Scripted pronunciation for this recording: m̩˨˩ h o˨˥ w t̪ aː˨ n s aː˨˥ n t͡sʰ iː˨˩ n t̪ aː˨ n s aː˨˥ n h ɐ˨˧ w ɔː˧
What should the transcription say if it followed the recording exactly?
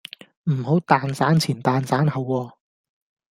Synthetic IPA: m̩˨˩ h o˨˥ w t̪ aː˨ n s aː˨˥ n t͡sʰ iː˨˩ n t̪ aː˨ n s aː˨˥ n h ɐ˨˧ w ɔː˧